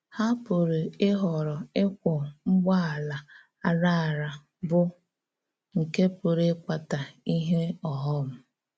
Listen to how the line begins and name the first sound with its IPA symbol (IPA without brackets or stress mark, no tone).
h